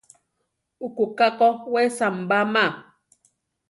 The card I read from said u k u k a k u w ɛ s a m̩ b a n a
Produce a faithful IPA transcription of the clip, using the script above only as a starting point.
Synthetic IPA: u k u k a k ɔ w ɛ s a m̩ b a m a